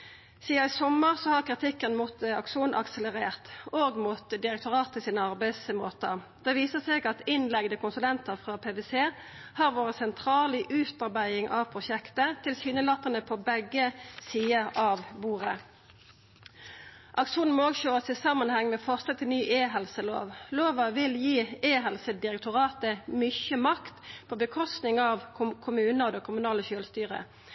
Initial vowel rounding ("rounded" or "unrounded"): unrounded